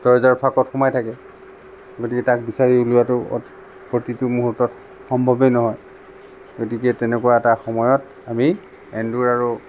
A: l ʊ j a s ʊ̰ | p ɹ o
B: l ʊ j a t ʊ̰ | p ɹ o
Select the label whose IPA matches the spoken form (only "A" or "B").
B